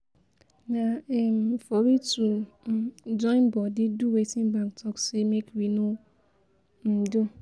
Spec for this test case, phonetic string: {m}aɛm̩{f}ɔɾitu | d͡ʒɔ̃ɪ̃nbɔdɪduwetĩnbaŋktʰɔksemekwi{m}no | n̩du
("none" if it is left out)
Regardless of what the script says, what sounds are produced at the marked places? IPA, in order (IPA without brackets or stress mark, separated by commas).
n, f, none